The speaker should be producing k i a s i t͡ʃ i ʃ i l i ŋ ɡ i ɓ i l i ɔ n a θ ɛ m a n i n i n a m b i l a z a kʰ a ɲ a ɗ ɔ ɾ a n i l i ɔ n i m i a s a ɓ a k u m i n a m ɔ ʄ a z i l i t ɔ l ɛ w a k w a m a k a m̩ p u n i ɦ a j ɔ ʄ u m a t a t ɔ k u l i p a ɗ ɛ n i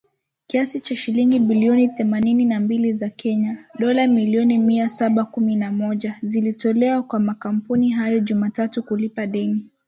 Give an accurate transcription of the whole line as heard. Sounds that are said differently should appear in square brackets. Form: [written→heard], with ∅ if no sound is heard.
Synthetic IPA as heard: k i a s i t͡ʃ [i→a] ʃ i l i ŋ ɡ i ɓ i l i ɔ n [a→i] θ ɛ m a n i n i n a m b i l [a→i] z a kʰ [a→ɛ] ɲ a ɗ ɔ [ɾ→l] a [n→m] i l i ɔ n i m i a s a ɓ a k u m i n a m ɔ ʄ a z i l i t ɔ l ɛ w a k w a m a k a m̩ p u n i ɦ a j ɔ ʄ u m a t a t [ɔ→u] k u l i p a ɗ ɛ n i